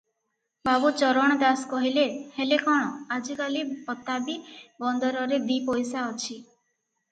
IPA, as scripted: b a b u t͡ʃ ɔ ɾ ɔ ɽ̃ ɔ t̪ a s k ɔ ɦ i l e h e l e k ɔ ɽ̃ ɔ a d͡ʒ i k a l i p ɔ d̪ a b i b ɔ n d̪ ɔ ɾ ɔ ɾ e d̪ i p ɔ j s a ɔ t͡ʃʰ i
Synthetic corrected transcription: b a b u t͡ʃ ɔ ɾ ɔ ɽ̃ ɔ d̪ a s k ɔ ɦ i l e h e l e k ɔ ɽ̃ ɔ a d͡ʒ i k a l i p ɔ t̪ a b i b ɔ n d̪ ɔ ɾ ɔ ɾ e d̪ i p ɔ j s a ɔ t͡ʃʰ i